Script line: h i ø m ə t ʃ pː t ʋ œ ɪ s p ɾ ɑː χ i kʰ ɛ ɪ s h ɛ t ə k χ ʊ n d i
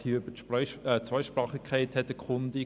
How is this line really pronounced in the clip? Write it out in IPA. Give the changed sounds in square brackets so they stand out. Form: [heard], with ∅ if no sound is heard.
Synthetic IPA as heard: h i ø [b] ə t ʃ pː [t͡s] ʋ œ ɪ [ʃ] p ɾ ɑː χ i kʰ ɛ ɪ [t] h ɛ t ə k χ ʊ n d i